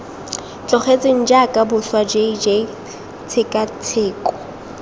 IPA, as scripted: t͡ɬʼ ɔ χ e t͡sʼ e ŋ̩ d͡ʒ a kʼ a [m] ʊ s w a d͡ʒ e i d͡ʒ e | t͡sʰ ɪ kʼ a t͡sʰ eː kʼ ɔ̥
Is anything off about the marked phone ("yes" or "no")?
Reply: yes